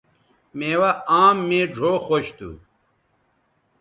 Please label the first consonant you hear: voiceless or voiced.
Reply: voiced